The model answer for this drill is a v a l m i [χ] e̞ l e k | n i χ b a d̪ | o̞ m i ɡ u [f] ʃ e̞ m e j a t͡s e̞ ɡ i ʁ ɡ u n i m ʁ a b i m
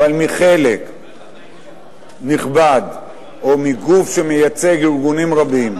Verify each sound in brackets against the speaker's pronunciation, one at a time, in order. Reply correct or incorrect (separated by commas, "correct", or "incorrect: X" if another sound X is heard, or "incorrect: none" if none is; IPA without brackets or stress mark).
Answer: correct, correct